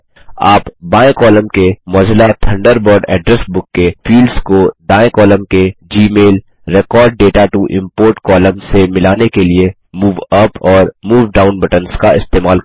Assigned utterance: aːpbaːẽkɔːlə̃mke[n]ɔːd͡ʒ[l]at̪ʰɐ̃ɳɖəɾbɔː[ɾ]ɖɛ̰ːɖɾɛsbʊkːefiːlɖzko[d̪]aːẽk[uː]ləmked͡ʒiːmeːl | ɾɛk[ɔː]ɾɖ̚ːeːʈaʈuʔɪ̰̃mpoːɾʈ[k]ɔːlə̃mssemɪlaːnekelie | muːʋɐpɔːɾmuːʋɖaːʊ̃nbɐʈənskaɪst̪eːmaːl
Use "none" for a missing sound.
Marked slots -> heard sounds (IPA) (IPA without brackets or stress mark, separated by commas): m, l, ɾ, d̪, ɔː, ɔː, k